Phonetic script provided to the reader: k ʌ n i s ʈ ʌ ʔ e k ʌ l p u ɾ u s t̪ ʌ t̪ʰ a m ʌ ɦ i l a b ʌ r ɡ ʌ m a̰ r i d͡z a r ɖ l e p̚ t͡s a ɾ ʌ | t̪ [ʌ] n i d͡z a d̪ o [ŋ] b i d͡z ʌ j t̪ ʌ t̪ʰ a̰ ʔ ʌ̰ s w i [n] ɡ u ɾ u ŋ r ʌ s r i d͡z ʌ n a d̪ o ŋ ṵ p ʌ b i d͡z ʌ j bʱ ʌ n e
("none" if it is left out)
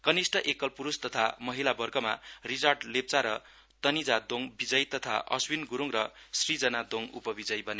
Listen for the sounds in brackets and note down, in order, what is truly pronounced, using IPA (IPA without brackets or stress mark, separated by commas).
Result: ʌ, ŋ, n